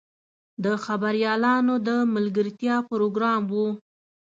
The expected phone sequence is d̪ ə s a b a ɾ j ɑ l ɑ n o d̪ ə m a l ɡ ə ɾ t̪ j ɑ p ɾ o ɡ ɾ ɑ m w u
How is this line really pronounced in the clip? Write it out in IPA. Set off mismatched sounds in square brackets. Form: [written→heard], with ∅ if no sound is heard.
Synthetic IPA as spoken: d̪ ə [s→x] a b a ɾ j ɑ l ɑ n o d̪ ə m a l ɡ ə ɾ t̪ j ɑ p ɾ o ɡ ɾ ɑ m w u